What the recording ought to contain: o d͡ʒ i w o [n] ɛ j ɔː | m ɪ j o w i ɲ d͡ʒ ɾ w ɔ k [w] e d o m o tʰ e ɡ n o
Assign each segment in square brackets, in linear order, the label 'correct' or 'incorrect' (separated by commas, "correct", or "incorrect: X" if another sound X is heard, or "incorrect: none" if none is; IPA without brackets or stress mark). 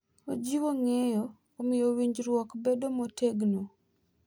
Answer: incorrect: ŋ, incorrect: b